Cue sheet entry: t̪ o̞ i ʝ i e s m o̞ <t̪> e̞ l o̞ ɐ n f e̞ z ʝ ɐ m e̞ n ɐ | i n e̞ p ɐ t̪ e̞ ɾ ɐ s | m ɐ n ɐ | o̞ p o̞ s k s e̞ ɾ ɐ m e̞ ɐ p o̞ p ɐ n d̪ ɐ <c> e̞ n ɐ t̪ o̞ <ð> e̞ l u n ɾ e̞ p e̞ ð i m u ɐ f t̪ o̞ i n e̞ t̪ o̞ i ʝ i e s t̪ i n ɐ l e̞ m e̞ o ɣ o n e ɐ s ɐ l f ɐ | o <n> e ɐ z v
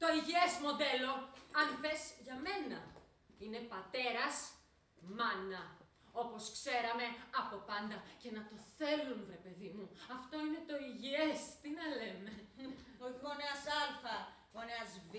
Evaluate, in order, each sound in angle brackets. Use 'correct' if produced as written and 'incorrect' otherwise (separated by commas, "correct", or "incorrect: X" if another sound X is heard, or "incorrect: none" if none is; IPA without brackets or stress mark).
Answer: incorrect: d̪, correct, incorrect: θ, correct